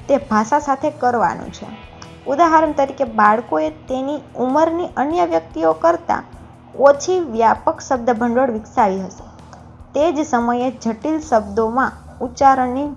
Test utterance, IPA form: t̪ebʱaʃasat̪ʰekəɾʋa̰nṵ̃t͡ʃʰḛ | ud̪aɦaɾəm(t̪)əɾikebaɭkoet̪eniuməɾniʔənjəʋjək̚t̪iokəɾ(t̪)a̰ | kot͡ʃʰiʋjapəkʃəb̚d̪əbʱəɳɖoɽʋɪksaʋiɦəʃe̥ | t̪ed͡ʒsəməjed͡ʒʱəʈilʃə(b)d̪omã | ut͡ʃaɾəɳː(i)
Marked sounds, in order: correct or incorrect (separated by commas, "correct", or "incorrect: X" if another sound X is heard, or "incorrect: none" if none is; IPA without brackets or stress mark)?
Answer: correct, correct, correct, correct